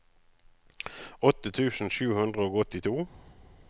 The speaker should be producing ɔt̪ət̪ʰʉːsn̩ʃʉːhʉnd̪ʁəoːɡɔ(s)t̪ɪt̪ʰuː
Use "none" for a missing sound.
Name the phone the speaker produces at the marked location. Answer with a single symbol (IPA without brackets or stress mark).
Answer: none